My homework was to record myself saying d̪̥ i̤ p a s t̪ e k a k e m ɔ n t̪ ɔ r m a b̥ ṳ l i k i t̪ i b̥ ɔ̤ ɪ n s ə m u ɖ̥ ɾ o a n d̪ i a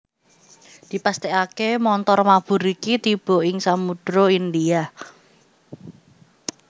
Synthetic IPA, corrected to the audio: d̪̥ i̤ p a s t̪ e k a k e m ɔ n t̪ ɔ r m a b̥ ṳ ɾ i k i t̪ i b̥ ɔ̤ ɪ ŋ s a m u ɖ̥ ɾ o i n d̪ i a